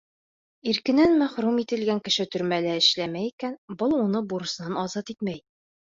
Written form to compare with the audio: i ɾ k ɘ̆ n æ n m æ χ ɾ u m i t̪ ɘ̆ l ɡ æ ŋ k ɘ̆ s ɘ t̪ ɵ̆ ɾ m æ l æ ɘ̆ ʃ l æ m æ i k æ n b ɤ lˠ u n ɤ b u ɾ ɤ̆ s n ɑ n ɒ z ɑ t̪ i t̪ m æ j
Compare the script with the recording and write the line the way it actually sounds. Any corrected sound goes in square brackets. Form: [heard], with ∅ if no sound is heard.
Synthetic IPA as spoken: i ɾ k ɘ̆ n æ n m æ χ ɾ u m i t̪ ɘ̆ l ɡ æ ŋ k ɘ̆ [ʃ] ɘ t̪ ɵ̆ ɾ m æ l æ ɘ̆ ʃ l æ m æ i k æ n b ɤ lˠ u n ɤ b u ɾ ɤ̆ s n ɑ n ɒ z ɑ t̪ i t̪ m æ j